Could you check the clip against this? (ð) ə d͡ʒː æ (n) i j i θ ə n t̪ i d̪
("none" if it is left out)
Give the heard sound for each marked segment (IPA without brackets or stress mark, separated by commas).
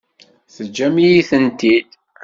θ, m